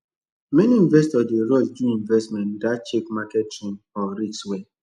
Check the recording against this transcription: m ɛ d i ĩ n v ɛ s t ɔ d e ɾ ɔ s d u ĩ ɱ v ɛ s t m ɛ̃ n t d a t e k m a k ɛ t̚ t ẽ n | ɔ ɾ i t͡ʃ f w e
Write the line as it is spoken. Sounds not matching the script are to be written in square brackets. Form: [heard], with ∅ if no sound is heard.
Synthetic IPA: m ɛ [n] i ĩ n v ɛ s t ɔ d e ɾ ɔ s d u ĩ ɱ v ɛ s t m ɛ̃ n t d a [t͡ʃ] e k m a k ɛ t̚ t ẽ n | ɔ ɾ i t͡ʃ [s] w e

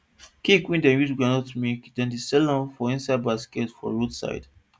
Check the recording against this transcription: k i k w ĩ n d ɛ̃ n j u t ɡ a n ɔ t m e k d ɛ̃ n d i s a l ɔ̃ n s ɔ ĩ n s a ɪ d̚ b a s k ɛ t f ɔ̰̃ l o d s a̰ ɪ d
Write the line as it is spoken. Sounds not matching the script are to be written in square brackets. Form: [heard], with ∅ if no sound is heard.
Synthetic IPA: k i k w ĩ n d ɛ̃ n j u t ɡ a n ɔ t m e k d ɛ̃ n d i s [ɛ] l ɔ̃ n [f] ɔ ĩ n s a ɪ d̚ b a s k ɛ t f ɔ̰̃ [ɹ] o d s a̰ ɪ d

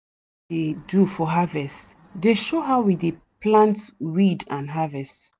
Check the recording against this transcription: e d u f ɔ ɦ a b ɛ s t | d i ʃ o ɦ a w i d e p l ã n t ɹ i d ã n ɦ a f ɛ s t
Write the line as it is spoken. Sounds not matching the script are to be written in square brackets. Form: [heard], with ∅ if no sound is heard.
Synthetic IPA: e d u f ɔ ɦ a [v] ɛ s t | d [e] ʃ o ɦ a w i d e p l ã n t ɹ i d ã n ɦ a [v] ɛ s t

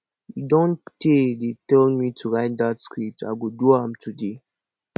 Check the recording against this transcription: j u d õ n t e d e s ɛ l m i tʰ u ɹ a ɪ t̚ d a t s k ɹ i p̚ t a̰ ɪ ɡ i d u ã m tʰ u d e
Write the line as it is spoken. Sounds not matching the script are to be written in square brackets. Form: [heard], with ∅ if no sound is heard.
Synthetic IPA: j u d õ n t e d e [t] ɛ l m i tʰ u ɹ a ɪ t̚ d a t s k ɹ i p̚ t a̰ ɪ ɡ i d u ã m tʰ u d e

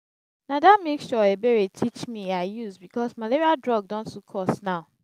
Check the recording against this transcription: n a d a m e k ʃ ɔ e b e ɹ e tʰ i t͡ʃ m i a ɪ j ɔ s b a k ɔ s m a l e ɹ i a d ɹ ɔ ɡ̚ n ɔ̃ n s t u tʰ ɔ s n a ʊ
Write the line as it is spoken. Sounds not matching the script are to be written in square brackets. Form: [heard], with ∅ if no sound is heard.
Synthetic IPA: n a d a m e k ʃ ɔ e b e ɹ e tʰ i t͡ʃ m i a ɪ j [u] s b [i] k ɔ s m a l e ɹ i a d ɹ ɔ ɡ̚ [d] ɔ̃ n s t u [kʰ] ɔ s n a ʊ

